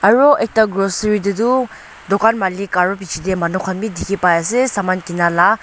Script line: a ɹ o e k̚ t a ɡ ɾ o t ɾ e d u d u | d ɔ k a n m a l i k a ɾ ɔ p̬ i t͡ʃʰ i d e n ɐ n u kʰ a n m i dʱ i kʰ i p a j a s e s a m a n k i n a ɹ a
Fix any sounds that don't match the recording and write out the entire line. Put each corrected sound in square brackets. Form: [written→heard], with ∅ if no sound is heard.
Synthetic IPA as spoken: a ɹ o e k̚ t a ɡ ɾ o [t→s] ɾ [e→i] d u d u | d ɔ k a n m a l i k a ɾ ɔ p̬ i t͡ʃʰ i d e [n→m] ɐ n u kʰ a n m i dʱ i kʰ i p a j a s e s a m a n k i n a [ɹ→l] a